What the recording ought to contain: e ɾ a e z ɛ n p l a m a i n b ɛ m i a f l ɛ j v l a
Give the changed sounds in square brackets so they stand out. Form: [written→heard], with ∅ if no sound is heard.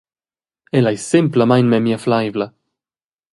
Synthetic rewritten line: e [ɾ→l] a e [z→s] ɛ [n→m] p l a m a [i→j] n [b→m] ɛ m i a f l [ɛ→a] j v l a